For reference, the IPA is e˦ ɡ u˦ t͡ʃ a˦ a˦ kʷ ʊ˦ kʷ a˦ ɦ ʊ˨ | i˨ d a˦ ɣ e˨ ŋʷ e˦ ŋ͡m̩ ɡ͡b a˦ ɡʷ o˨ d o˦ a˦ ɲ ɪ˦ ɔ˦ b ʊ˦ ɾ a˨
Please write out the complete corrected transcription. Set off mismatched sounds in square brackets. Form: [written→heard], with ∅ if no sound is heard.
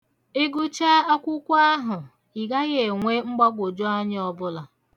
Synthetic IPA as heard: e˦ ɡ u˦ t͡ʃ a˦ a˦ kʷ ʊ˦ kʷ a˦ ɦ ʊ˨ | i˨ [d→ɡ] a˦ ɣ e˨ ŋʷ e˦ ŋ͡m̩ ɡ͡b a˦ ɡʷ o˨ [d→d͡ʒ] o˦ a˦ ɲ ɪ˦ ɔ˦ b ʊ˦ [ɾ→l] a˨